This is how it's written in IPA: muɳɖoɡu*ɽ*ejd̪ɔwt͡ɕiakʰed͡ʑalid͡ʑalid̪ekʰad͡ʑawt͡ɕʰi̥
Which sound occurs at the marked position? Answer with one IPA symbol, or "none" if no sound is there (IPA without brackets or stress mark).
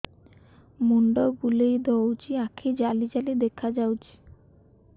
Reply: l